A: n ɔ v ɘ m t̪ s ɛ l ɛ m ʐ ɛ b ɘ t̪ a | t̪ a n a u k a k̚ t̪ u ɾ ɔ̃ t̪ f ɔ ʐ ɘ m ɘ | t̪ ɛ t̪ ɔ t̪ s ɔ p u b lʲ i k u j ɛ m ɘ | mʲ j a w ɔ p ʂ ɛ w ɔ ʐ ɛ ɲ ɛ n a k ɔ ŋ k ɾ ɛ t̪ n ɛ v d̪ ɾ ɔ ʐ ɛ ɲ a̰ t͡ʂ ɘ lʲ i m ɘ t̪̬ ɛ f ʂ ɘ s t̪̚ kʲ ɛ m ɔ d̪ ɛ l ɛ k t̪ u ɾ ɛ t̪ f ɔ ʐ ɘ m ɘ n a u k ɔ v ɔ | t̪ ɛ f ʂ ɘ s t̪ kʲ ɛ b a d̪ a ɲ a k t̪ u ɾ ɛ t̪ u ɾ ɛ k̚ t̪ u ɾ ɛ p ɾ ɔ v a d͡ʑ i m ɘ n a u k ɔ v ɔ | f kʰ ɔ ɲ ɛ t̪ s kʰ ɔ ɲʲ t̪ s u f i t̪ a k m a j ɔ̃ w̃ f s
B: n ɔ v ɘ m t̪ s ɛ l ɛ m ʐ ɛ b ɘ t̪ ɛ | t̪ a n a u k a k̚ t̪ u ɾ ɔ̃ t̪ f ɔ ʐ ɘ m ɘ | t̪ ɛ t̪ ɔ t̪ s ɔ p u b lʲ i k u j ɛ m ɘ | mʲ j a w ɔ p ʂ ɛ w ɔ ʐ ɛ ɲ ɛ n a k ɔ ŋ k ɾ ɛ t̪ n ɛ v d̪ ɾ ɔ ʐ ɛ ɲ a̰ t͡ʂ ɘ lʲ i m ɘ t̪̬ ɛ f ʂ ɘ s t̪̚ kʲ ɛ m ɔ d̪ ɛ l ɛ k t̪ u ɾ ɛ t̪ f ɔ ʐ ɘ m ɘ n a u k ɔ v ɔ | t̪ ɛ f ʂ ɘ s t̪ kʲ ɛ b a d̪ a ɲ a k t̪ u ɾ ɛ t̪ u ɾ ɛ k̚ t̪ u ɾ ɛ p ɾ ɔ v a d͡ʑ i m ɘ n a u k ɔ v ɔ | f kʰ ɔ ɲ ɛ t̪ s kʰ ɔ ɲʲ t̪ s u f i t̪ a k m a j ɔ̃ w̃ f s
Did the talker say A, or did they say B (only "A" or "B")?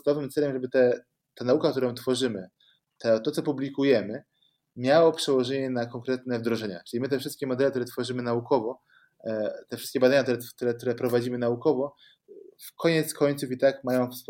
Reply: B